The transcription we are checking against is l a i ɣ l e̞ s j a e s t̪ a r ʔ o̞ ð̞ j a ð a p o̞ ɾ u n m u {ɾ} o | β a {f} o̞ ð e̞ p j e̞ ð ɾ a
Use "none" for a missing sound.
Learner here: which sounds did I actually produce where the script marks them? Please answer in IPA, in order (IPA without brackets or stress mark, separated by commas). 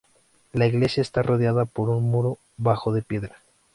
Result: ɾ, x